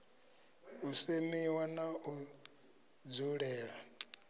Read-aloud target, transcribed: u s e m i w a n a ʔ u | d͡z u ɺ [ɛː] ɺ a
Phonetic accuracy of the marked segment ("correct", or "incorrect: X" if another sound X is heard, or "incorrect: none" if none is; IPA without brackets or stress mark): correct